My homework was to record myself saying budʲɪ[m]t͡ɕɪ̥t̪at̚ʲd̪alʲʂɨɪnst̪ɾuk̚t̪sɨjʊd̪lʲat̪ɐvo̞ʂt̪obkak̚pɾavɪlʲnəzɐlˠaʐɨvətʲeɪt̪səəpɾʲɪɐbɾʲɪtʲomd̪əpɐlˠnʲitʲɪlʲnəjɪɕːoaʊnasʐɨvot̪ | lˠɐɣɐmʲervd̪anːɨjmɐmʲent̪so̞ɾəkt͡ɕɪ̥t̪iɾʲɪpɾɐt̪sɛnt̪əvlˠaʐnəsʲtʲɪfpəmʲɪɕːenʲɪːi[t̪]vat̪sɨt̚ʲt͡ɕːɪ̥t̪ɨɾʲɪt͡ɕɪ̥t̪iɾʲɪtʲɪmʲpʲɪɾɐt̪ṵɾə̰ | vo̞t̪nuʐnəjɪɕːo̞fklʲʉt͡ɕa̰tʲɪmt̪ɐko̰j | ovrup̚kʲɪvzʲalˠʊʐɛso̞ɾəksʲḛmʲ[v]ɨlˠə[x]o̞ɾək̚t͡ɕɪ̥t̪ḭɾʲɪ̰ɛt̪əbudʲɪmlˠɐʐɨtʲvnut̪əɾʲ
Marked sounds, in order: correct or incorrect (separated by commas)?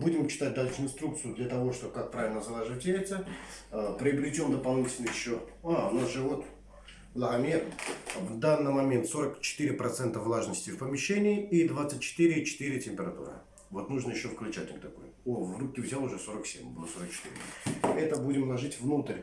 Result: correct, incorrect, incorrect, incorrect